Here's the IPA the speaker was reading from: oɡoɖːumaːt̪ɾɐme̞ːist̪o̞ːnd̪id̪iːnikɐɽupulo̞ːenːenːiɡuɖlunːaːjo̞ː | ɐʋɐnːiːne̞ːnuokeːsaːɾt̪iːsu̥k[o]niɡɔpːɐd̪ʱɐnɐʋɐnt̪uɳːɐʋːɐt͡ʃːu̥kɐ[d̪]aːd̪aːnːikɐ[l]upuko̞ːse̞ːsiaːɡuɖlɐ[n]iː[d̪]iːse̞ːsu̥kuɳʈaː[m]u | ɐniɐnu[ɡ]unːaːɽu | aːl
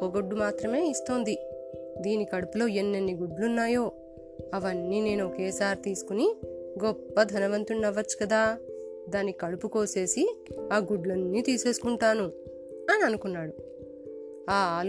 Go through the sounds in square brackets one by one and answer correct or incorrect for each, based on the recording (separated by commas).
incorrect, correct, incorrect, incorrect, incorrect, incorrect, incorrect